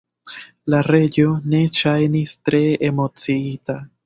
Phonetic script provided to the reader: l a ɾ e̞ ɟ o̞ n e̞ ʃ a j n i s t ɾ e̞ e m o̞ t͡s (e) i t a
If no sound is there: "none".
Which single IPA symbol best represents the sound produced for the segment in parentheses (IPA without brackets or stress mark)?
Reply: i